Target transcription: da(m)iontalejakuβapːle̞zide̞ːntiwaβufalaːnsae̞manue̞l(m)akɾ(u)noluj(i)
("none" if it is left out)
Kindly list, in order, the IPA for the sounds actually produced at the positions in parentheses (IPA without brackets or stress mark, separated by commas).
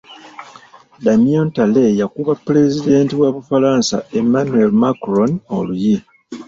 m, m, o, i